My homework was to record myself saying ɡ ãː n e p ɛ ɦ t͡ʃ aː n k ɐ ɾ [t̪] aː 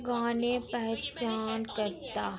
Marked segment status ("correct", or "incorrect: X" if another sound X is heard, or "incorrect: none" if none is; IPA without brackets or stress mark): correct